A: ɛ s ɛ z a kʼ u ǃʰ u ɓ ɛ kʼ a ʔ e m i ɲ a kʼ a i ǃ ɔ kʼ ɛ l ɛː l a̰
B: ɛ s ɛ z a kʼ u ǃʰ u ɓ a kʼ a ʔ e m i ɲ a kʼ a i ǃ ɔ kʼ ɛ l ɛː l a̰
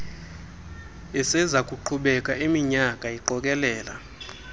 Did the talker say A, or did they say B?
A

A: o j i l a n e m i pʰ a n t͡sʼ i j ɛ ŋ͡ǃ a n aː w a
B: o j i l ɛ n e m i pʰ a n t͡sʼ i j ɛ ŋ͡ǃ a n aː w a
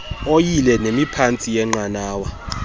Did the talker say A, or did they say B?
B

